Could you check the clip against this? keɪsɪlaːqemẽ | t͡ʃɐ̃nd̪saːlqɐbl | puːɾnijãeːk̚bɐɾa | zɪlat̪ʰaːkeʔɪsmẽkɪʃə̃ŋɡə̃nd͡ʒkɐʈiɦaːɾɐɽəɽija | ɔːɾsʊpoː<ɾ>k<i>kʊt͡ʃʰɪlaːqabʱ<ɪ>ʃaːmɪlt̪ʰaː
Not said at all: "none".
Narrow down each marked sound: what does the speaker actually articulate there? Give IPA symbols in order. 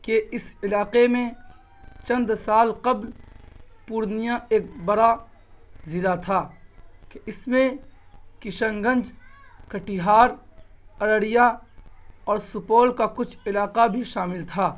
l, a, i

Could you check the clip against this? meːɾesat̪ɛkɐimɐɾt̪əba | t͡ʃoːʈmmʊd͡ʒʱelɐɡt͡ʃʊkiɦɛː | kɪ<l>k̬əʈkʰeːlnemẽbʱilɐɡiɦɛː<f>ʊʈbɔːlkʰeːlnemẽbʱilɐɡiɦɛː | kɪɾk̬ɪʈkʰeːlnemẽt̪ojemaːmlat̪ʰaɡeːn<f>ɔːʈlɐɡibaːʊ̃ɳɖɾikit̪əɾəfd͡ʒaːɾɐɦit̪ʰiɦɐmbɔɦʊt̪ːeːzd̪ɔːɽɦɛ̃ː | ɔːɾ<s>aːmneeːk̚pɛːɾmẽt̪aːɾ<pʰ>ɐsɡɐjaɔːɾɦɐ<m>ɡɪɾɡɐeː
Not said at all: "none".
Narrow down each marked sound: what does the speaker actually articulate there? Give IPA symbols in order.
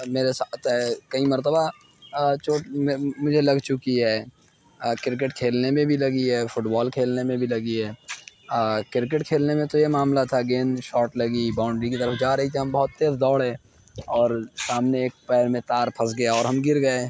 ɾ, f, ʃ, s, pʰ, m

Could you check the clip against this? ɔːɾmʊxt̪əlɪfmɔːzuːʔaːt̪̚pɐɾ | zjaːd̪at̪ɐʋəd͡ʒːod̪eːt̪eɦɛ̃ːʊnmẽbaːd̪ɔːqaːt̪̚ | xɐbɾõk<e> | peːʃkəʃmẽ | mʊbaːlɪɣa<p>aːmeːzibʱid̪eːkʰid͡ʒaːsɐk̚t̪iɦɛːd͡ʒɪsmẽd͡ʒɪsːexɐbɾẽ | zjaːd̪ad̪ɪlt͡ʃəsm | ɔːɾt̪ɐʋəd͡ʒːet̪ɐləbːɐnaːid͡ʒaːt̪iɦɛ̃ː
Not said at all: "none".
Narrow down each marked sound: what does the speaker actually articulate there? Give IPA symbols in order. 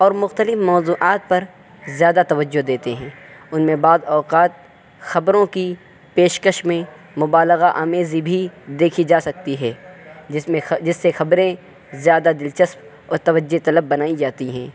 i, ʔ

